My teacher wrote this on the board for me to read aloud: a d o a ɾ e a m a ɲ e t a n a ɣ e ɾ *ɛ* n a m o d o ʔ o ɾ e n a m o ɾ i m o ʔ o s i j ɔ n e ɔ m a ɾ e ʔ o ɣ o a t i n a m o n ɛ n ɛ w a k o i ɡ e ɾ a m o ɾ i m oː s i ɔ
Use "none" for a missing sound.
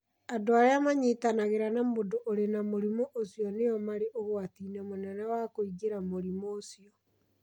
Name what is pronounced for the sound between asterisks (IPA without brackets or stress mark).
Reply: a